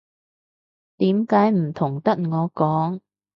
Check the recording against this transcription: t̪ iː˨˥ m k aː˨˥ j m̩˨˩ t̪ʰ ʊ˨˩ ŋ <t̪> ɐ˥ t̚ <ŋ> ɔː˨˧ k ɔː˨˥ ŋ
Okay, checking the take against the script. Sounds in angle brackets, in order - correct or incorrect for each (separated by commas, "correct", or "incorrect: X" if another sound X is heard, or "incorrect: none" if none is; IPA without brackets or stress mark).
correct, correct